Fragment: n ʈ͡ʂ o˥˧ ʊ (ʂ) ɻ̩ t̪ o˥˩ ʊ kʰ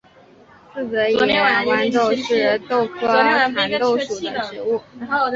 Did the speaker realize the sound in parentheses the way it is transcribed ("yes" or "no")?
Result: yes